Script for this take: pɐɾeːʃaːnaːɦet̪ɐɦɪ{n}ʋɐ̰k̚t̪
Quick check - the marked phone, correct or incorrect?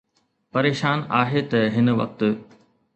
correct